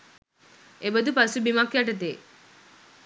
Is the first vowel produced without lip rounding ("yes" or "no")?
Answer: yes